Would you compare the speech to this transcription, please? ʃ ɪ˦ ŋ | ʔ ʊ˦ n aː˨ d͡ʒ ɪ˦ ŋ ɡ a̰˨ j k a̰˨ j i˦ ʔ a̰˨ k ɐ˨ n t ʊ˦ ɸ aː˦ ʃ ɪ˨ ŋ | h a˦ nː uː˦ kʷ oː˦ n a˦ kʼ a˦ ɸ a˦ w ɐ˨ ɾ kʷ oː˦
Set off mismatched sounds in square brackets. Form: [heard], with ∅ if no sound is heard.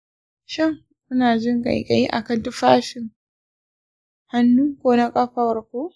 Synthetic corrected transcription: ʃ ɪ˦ ŋ | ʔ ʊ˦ n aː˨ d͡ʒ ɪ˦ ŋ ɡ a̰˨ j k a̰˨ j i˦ ʔ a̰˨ k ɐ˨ n t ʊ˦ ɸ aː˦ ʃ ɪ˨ ŋ | h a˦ nː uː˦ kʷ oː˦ n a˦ kʼ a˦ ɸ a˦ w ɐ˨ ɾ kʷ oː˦